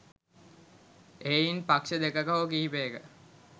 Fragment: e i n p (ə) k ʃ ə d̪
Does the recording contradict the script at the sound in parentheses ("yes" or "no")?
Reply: yes